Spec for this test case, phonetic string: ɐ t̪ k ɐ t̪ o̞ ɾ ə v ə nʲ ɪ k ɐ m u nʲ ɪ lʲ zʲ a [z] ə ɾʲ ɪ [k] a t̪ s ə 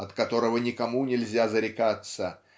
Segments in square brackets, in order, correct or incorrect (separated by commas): correct, correct